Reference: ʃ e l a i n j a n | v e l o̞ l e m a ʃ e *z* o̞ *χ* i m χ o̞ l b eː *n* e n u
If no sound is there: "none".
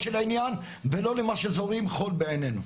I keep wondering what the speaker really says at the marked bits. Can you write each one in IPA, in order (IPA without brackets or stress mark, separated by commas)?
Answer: z, ʁ, n